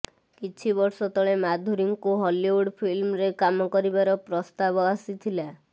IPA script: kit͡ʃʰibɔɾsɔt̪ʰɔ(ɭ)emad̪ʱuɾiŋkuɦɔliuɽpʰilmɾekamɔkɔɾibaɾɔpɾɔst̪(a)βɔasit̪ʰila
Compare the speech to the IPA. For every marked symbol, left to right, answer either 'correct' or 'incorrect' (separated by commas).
correct, correct